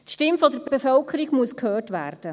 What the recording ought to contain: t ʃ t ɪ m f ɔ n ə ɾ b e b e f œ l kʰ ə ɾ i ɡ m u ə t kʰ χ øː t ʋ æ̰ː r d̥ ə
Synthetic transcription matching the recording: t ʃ t ɪ m f ɔ d ə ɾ b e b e f œ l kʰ ə ɾ i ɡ m u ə s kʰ h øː t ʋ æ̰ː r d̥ ə